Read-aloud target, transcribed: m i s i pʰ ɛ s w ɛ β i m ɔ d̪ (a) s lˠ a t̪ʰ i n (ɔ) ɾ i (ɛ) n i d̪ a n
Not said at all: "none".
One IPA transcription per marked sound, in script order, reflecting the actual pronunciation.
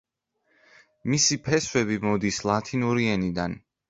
i, u, ɛ

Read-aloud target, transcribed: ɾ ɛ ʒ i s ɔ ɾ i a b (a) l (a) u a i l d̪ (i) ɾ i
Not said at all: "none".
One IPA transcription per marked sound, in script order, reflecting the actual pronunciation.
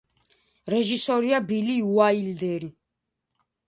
i, i, ɛ

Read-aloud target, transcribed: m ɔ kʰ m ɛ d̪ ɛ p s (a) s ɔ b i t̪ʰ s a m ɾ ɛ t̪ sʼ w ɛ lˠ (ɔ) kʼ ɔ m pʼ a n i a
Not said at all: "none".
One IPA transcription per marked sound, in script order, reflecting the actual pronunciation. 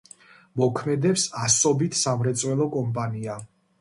a, ɔ

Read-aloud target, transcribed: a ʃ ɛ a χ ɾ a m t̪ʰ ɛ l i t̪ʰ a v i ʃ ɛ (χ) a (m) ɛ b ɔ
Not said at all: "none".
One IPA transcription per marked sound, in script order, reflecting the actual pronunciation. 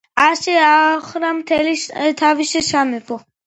ʃ, m

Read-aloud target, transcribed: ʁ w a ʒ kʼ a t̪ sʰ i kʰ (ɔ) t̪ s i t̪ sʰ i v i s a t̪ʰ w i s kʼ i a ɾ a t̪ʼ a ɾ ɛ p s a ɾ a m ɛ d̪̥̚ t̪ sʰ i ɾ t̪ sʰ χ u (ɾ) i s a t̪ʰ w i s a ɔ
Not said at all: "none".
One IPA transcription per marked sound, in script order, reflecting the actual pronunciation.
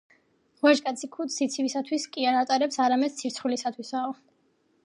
u, l

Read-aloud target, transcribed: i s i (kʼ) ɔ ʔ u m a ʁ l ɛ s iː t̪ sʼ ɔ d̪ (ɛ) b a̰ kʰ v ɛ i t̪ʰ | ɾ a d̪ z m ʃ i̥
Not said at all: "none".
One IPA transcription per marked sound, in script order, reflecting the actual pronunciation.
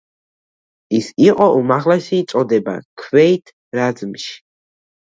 qʼ, ɛ

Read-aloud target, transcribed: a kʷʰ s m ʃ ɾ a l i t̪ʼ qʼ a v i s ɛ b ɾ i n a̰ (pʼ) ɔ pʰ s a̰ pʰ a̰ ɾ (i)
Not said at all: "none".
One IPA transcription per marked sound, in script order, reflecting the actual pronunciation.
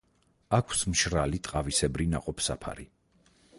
qʼ, i

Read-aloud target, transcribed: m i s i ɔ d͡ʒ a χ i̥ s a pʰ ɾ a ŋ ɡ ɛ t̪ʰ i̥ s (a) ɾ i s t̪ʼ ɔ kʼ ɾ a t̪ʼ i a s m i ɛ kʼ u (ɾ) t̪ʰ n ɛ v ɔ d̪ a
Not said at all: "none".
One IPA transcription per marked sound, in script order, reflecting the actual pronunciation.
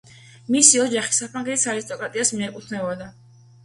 a, none

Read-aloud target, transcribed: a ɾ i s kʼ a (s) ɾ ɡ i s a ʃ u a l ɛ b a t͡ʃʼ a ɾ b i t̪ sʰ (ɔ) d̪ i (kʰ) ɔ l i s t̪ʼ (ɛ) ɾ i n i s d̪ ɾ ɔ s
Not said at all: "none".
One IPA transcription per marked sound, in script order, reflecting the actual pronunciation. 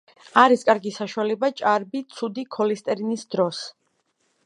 none, u, kʰ, ɛ

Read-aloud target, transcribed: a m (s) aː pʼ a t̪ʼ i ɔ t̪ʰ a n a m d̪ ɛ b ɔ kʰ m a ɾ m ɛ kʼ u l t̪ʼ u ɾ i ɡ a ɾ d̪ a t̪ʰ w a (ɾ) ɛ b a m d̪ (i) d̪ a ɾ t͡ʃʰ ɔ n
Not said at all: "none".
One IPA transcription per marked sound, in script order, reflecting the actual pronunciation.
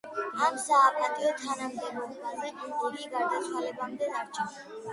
s, l, ɛ

